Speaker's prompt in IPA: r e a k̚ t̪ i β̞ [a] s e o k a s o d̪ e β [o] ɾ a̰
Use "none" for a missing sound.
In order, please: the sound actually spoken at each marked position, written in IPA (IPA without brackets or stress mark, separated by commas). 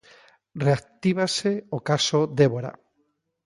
a, o